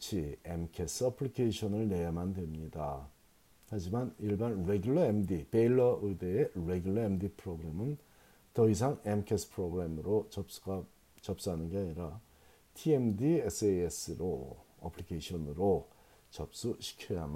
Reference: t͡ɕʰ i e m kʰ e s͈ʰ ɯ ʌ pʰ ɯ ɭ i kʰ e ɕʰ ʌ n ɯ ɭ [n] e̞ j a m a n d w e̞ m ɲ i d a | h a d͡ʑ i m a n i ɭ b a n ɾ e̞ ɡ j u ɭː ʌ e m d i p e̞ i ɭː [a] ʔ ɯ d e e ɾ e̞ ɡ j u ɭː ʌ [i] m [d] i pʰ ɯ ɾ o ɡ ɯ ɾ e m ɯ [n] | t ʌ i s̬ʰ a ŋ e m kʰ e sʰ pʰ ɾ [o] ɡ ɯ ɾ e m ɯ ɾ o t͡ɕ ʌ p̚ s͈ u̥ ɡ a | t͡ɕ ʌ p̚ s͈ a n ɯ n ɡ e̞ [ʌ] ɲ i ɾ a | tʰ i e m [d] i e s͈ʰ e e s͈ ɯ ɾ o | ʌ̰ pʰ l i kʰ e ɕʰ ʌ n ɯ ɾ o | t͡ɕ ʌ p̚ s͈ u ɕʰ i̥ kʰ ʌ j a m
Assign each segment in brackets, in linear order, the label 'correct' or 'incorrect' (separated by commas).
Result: correct, incorrect, incorrect, correct, correct, correct, incorrect, correct